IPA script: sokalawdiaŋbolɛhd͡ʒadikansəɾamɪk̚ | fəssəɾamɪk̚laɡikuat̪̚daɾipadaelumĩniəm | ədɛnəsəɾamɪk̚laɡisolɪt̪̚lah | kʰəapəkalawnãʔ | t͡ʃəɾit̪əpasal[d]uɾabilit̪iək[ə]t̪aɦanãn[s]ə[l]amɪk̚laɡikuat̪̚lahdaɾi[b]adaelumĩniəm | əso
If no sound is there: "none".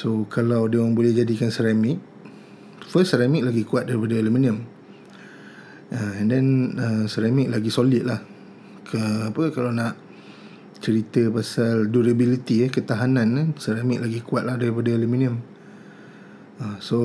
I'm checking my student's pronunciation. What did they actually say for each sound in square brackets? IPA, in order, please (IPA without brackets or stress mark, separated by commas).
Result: d, ə, s, ɾ, p